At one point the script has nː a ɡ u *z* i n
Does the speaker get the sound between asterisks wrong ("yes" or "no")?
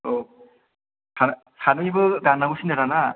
yes